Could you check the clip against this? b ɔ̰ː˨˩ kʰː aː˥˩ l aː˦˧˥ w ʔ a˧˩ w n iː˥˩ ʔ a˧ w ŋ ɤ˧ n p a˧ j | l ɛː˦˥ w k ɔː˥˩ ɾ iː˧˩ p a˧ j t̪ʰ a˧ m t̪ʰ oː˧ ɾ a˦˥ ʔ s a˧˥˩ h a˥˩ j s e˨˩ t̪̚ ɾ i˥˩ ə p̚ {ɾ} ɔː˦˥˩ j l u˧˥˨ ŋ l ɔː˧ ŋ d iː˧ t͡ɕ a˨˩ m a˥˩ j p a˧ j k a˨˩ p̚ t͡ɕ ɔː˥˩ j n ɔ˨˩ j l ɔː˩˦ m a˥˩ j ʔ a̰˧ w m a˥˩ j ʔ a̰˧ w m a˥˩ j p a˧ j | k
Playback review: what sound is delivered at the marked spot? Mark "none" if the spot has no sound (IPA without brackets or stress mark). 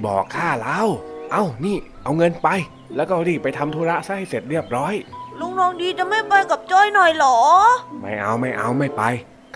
ɾ